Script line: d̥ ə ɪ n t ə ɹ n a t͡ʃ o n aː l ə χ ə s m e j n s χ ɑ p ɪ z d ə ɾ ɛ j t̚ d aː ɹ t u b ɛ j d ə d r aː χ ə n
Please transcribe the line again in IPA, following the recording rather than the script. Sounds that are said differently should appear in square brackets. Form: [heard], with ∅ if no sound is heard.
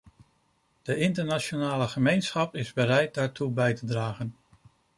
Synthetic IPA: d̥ ə ɪ n t ə ɹ n a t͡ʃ o n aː l ə χ ə [∅] m e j n s χ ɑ p ɪ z [b] ə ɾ ɛ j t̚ d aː ɹ t u b ɛ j [t] ə d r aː χ ə n

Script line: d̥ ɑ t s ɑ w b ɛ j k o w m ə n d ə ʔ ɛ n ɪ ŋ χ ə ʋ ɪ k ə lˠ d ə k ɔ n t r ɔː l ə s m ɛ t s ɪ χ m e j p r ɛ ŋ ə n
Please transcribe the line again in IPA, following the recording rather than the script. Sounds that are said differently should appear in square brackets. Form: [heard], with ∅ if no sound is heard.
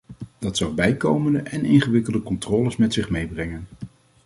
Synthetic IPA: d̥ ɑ t s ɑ w b ɛ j k o w m ə n d ə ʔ ɛ n ɪ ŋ χ ə ʋ ɪ k ə lˠ d ə k ɔ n t r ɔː l ə s m ɛ t s ɪ χ m e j [b] r ɛ ŋ ə n

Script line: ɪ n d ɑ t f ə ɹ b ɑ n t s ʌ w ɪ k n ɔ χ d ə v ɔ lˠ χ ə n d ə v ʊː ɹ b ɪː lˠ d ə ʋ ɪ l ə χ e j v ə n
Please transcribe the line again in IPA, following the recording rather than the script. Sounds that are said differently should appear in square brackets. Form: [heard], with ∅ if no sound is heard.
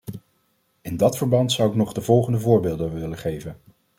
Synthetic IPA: ɪ n d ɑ t f ə ɹ b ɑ n t s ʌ w ɪ k n ɔ χ d ə v ɔ lˠ χ ə n d ə v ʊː ɹ b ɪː lˠ d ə ʋ ɪ l ə χ e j v ə n

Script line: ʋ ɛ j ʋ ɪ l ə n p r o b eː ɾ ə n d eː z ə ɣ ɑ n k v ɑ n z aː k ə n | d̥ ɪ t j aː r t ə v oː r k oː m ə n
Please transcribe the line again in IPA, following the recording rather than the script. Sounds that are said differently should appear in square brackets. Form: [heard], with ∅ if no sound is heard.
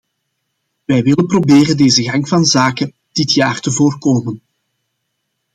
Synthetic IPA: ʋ ɛ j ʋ ɪ l ə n p r o b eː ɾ ə n d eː z ə ɣ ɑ [ŋ] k v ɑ n z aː k ə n | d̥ ɪ t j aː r t ə v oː r k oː m ə n

